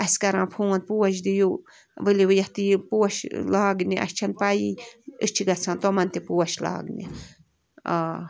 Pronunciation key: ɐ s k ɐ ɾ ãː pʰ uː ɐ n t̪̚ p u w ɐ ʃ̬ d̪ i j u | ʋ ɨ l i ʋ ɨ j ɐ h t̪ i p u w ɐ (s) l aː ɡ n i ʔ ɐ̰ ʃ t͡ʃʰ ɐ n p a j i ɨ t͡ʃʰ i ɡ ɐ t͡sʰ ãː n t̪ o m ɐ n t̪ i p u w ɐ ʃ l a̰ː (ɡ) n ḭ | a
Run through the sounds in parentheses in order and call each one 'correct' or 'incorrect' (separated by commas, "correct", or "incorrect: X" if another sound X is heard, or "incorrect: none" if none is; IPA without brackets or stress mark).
incorrect: ʃ, correct